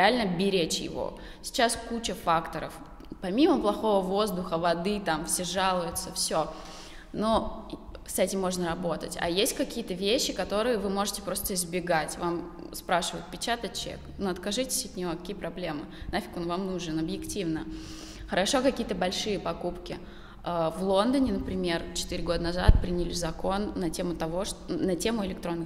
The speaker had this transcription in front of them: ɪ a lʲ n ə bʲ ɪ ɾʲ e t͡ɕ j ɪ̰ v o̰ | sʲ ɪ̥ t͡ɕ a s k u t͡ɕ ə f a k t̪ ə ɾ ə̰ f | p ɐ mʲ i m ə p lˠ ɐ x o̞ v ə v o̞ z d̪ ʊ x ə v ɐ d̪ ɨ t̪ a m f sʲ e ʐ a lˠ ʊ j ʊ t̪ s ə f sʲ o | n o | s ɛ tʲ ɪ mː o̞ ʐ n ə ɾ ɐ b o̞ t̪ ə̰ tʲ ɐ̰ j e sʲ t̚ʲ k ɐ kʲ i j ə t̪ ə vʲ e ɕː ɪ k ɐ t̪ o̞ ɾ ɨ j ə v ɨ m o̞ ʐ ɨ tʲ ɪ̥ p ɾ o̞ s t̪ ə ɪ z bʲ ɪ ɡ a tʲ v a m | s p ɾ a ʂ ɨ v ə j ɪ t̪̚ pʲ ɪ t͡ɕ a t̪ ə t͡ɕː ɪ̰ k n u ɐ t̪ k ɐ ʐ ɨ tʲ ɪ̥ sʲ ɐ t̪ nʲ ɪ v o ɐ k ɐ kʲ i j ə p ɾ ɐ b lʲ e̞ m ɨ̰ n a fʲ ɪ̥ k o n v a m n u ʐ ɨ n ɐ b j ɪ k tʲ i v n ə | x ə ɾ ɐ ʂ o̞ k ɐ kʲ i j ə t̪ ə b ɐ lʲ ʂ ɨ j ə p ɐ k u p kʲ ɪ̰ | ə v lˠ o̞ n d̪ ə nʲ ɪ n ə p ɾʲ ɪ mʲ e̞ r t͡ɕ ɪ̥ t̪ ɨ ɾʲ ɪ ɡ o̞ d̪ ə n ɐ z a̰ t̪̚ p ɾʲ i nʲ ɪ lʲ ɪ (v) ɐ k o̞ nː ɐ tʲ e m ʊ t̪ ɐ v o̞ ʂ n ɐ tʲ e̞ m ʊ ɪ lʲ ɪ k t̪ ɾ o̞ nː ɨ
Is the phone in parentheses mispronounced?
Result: yes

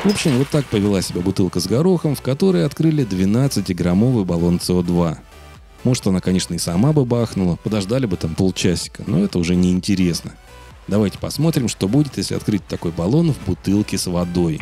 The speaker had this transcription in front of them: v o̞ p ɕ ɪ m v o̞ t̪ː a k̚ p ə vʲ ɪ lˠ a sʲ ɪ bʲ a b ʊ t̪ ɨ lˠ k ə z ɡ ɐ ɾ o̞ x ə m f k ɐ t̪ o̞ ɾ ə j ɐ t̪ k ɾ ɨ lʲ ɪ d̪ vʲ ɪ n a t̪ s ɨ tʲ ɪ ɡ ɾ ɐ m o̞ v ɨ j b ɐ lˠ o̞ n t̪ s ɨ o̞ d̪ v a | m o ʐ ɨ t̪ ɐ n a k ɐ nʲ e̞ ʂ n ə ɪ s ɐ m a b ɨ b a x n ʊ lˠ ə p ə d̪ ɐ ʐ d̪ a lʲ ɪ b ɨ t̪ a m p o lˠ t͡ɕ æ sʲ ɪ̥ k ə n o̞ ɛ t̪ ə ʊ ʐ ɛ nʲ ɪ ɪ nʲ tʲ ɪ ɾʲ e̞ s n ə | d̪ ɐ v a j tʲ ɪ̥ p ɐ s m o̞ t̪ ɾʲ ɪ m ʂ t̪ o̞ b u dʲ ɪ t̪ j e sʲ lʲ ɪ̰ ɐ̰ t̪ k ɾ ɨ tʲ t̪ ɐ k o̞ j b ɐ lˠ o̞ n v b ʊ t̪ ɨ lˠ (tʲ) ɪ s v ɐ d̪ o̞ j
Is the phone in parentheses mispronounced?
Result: yes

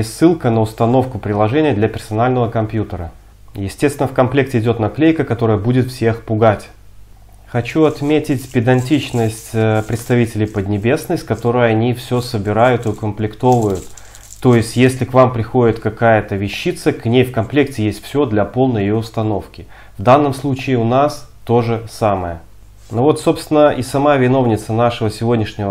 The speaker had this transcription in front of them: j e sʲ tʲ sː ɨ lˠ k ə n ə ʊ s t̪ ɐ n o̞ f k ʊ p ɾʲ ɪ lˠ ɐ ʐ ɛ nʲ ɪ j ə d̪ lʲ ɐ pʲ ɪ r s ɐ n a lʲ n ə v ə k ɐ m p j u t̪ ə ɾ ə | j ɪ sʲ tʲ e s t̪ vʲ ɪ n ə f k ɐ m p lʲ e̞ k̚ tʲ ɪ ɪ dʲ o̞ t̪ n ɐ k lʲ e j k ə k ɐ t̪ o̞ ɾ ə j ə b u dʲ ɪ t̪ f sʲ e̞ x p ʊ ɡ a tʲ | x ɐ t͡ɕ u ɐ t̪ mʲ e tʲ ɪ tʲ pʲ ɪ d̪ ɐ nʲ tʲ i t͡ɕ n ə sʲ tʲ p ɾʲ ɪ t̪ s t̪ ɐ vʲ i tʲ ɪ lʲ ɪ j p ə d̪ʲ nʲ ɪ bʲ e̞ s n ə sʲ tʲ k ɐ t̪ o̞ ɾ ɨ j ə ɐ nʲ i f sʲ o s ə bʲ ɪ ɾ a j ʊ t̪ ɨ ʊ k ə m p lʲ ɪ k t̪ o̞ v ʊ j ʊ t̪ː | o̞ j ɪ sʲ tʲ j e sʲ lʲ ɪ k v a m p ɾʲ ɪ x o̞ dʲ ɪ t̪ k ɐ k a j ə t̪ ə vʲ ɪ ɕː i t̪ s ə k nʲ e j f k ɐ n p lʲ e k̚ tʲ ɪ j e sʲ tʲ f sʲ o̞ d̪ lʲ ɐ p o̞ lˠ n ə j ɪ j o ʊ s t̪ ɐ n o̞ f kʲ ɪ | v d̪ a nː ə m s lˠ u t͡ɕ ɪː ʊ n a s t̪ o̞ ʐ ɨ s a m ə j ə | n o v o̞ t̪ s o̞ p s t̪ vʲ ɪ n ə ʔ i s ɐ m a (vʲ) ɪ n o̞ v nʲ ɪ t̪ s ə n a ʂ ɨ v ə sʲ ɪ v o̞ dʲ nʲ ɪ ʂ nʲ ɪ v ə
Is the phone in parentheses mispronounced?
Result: no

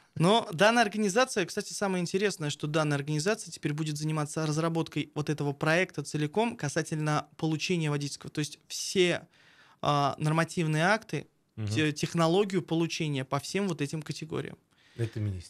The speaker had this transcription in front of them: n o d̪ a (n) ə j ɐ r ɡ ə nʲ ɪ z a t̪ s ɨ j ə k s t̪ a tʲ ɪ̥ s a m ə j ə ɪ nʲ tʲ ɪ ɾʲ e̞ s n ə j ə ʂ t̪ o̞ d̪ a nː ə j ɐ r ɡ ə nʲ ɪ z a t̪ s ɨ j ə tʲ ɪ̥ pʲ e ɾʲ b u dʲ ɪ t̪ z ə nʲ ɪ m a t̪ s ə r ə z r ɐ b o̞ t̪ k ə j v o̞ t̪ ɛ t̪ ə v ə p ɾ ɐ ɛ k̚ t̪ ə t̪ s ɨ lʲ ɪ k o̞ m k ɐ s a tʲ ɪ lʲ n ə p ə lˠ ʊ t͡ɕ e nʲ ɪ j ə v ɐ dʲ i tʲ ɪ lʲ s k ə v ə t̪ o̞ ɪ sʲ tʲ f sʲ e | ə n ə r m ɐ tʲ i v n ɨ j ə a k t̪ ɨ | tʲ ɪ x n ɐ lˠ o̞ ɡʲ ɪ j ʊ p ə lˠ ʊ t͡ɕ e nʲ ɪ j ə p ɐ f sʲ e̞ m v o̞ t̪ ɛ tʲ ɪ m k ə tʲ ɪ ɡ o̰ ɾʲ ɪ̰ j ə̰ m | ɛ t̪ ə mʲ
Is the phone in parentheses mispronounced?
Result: yes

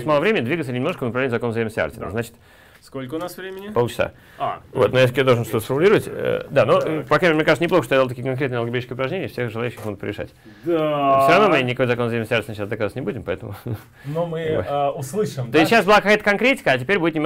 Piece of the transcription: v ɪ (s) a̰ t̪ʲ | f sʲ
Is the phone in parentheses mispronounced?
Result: yes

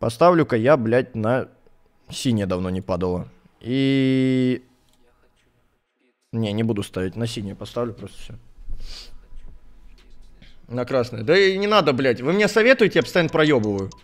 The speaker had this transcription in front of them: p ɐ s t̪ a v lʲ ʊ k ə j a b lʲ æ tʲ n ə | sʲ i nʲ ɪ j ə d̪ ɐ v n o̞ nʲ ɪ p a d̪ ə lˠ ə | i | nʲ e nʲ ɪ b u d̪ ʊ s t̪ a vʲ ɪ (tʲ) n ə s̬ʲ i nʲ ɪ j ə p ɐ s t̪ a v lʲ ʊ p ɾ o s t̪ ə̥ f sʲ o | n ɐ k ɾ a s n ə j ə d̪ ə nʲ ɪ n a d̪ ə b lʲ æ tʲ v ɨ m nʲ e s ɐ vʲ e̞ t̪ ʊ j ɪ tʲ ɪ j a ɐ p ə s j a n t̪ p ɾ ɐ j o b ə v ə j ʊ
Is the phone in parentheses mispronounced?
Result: no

